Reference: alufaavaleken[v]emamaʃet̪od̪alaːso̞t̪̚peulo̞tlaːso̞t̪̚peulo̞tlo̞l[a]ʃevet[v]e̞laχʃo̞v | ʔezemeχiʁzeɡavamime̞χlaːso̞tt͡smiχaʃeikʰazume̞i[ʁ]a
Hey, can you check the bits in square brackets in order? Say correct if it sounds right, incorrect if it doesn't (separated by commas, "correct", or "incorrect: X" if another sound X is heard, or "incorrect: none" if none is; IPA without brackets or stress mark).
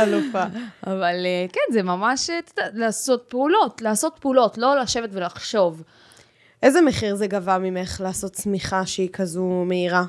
incorrect: z, correct, correct, correct